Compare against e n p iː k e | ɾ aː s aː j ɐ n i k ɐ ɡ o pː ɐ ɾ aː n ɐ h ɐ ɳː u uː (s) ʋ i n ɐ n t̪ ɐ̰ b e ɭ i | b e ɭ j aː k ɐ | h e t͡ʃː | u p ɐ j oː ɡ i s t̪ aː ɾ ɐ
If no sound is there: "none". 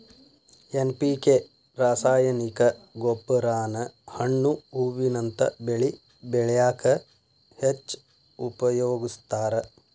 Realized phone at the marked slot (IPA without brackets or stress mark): none